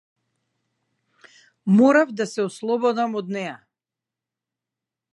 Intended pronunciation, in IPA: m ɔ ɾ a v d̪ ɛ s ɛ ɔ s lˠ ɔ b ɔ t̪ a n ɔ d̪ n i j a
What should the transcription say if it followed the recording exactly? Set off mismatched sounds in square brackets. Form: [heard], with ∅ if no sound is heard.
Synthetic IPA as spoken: m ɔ ɾ a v d̪ [a] s ɛ ɔ s lˠ ɔ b ɔ [d̪] a [m] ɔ d̪ n [ɛ] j a